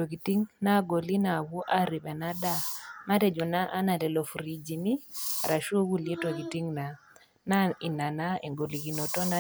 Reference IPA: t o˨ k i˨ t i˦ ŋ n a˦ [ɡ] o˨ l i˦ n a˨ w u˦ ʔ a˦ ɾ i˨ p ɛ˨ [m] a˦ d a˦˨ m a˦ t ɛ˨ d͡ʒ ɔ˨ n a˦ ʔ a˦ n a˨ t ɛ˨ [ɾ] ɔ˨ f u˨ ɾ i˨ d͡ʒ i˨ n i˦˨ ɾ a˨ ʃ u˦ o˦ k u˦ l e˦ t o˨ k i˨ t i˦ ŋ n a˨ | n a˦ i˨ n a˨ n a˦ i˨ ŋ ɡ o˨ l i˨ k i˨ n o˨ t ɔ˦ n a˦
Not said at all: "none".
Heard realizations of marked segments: ɡ, n, l

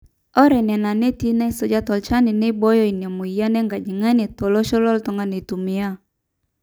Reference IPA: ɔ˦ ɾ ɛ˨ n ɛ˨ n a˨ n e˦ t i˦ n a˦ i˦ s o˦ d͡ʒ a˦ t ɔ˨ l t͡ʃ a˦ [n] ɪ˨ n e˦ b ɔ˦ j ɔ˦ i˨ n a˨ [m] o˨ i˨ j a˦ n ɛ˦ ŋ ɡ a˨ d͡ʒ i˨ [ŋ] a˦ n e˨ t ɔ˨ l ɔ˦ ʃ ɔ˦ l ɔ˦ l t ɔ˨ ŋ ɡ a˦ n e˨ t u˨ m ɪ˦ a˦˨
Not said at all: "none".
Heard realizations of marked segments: n, m, ŋ

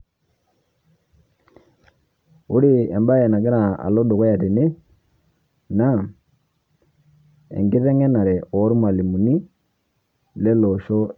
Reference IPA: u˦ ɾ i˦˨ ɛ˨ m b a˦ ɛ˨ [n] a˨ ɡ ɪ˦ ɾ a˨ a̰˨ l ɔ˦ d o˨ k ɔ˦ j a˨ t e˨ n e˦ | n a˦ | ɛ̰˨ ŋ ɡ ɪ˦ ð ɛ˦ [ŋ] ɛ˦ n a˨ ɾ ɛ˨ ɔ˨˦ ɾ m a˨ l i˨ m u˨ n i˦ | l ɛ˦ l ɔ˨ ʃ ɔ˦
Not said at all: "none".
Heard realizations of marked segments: n, ŋ

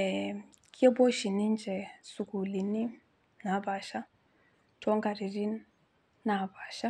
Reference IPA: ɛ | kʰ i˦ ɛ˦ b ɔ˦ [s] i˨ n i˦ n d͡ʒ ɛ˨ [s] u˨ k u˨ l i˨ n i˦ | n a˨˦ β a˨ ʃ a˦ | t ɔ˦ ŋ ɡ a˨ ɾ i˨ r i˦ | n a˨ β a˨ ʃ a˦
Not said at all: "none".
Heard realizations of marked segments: ʃ, s

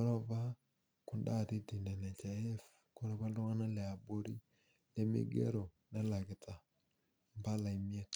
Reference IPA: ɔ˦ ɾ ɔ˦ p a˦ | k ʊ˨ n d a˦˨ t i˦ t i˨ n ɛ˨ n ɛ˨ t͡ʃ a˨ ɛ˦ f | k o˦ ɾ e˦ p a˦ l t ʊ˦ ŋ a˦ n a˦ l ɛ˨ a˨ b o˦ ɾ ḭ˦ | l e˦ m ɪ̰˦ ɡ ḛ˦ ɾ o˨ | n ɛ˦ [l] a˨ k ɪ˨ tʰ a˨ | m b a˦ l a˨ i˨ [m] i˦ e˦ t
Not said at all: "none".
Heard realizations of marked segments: l, m

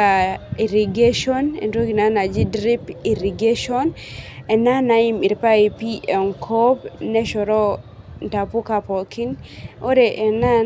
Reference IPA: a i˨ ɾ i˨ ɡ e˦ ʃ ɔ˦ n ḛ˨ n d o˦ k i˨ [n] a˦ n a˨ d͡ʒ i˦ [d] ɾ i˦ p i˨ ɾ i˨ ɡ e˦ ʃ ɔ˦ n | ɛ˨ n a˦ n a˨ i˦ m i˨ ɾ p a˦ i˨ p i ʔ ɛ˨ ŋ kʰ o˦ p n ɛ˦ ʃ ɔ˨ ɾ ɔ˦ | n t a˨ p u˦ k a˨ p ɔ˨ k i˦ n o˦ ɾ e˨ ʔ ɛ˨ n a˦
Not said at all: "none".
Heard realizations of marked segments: n, d

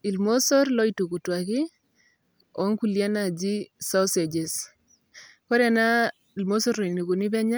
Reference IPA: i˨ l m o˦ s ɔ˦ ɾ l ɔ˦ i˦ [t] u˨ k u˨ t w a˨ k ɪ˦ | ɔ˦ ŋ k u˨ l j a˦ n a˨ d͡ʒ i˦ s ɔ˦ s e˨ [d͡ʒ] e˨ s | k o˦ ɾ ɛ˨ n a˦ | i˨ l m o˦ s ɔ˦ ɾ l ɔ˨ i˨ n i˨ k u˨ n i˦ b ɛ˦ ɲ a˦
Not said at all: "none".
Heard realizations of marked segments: t, d͡ʒ

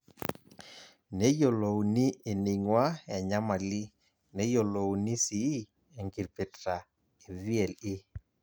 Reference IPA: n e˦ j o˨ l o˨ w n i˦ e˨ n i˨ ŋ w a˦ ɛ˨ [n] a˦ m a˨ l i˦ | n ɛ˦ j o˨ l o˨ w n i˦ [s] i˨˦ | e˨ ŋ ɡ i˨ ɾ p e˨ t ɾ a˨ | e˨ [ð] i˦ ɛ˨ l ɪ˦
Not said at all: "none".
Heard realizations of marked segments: ɲ, s, v

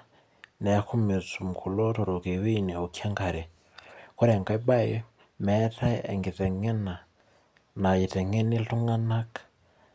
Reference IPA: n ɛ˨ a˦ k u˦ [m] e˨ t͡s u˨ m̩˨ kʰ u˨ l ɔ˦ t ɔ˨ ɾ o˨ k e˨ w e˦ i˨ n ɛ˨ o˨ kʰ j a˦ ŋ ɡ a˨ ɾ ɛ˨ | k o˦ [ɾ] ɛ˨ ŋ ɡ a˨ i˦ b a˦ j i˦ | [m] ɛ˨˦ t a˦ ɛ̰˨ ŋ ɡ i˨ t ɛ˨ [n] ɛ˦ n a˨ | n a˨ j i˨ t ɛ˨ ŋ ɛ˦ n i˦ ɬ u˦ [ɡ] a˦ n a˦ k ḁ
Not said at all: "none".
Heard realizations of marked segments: m, ɾ, m, ŋ, ŋ

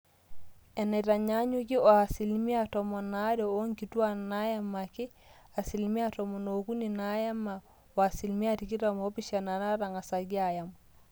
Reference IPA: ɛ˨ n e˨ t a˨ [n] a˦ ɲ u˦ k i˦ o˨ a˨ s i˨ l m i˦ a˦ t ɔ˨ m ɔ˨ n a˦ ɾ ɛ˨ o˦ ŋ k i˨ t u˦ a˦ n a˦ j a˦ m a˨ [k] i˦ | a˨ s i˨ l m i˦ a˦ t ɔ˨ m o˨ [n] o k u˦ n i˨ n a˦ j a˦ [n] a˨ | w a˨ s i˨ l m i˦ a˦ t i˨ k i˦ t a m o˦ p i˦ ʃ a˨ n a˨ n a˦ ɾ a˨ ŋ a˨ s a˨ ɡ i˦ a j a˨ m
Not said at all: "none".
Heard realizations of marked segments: ɲ, k, n, m

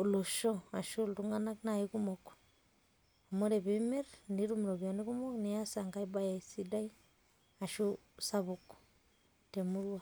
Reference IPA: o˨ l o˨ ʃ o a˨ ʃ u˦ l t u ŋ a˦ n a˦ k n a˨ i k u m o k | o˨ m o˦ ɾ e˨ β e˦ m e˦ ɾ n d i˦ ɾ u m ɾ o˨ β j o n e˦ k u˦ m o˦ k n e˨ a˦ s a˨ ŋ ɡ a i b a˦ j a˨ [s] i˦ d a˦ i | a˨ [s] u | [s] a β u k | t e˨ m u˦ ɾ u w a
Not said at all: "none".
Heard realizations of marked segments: s, ʃ, s

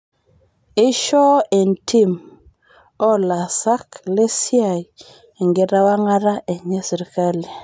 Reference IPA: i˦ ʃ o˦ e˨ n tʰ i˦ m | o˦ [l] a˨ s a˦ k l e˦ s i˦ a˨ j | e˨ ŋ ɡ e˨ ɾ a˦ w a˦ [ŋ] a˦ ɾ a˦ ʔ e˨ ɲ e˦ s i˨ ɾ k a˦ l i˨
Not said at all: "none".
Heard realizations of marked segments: l, ŋ

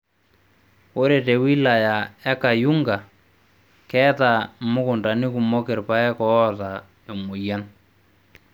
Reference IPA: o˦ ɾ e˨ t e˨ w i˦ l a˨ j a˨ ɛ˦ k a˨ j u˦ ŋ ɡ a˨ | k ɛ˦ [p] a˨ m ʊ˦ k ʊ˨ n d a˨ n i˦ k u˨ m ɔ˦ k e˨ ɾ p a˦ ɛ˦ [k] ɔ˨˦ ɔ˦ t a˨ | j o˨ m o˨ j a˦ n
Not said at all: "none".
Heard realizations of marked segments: t, k

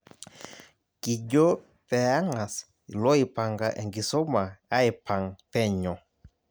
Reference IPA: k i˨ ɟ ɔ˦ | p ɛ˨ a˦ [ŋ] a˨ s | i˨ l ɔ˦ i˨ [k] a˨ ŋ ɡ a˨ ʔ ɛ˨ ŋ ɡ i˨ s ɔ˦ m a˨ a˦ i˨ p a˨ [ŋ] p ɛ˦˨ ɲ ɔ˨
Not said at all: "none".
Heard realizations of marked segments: ŋ, p, ŋ

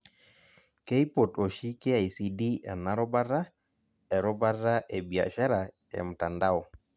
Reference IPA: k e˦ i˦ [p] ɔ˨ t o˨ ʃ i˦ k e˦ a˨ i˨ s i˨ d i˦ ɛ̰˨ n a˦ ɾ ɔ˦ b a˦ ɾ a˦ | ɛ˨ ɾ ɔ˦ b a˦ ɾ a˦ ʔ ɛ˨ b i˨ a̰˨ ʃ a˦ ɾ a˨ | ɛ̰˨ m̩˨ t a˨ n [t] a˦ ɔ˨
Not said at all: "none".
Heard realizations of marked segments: p, d

